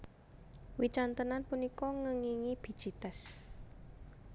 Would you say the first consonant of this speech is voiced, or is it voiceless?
voiced